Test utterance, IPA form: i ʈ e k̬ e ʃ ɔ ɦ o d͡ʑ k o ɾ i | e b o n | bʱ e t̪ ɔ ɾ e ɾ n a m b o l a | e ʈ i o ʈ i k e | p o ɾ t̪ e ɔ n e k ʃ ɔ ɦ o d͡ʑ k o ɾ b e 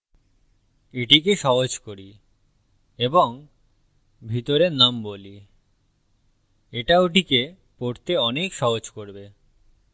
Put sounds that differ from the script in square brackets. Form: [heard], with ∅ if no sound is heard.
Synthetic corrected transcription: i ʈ [i] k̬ e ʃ ɔ ɦ o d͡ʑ k o ɾ i | e b o [ŋ] | bʱ [i] t̪ [o] ɾ e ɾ n a m b o l [i] | e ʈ [a] o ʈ i k e | p o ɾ t̪ e ɔ n e k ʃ ɔ ɦ o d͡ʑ k o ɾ b e